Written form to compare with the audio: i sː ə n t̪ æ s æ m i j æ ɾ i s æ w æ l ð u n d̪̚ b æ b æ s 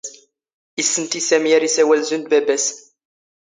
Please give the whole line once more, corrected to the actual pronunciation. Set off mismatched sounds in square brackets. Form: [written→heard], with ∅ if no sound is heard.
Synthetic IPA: i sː ə n t̪ [æ→i] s æ m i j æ ɾ i s æ w æ l [ð→z] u n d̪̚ b æ b æ s